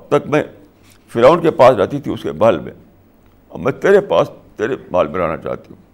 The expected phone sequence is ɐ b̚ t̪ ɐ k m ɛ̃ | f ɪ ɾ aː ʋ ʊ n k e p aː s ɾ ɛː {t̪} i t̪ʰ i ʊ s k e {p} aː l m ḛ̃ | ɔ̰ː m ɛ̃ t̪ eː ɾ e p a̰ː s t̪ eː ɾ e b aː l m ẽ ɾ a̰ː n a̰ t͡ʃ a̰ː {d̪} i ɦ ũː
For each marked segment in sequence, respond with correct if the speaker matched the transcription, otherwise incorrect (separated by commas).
correct, incorrect, incorrect